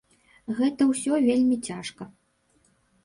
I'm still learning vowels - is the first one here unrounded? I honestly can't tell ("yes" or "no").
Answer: yes